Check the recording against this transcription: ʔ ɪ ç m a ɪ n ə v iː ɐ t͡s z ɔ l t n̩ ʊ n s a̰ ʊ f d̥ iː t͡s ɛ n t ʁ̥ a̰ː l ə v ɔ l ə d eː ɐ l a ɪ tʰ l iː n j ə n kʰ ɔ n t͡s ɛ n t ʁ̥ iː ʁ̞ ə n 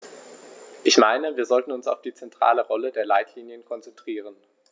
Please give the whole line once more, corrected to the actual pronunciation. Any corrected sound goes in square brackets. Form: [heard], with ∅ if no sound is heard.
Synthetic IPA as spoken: ʔ ɪ ç m a ɪ n ə v iː ɐ [∅] z ɔ l t n̩ ʊ n s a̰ ʊ f d̥ iː t͡s ɛ n t ʁ̥ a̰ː l ə [ʁ] ɔ l ə d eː ɐ l a ɪ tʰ l iː n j ə n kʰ ɔ n t͡s ɛ n t ʁ̥ iː ʁ̞ ə n

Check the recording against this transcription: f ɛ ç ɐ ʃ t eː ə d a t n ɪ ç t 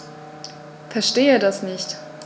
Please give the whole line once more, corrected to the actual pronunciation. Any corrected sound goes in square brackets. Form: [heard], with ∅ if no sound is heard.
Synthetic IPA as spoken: f ɛ [∅] ɐ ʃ t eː ə d a [s] n ɪ ç t

